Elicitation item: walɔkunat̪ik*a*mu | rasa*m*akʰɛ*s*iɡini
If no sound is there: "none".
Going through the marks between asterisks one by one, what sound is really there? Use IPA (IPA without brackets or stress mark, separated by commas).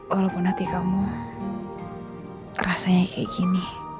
a, ɲ, none